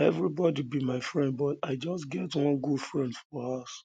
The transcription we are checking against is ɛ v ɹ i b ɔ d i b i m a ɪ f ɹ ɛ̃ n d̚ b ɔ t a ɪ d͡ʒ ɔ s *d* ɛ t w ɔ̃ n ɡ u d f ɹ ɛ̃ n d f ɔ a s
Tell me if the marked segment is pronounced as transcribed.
no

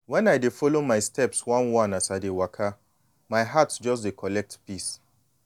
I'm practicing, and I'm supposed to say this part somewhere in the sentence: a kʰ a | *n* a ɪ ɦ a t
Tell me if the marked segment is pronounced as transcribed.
no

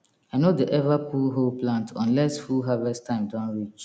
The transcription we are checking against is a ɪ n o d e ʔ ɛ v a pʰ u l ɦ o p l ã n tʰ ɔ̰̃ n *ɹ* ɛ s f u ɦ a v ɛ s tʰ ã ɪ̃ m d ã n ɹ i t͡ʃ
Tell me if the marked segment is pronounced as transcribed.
no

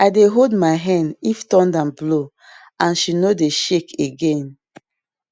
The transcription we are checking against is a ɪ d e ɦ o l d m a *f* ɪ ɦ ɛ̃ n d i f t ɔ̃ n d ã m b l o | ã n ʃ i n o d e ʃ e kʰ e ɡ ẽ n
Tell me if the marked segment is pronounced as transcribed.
no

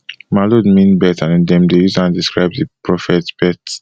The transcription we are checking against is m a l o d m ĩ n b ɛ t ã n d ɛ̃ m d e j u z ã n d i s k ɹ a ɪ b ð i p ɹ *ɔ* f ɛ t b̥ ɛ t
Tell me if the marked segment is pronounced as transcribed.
yes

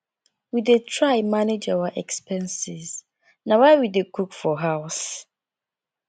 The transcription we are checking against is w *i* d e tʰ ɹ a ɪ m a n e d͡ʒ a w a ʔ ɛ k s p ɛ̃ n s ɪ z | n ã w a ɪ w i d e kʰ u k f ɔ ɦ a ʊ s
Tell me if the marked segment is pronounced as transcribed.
yes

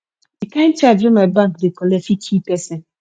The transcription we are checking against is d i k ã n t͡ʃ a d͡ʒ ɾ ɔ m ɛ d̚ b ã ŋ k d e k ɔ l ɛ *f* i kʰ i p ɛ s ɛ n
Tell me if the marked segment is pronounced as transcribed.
yes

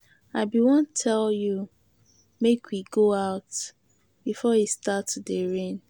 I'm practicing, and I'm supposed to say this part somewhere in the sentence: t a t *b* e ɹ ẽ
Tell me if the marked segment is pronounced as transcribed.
no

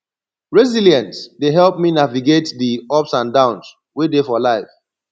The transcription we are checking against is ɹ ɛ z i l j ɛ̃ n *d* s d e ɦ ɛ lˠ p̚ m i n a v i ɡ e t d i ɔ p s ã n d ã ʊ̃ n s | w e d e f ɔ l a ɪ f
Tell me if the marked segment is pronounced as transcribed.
no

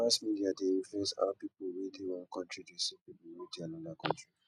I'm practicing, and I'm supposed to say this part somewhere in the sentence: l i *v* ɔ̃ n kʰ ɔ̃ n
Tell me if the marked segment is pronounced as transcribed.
no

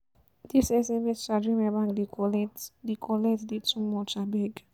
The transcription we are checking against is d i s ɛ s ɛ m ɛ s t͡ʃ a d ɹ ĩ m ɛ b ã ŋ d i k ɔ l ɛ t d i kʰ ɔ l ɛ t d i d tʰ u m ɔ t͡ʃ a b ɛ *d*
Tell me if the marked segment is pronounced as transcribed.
no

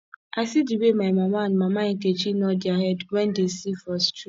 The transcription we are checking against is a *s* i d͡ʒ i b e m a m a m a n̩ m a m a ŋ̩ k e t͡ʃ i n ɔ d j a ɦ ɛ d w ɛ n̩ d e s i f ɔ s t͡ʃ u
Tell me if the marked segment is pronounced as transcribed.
yes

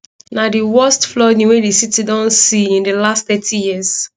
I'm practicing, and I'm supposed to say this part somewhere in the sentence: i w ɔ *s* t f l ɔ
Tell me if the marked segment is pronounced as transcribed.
yes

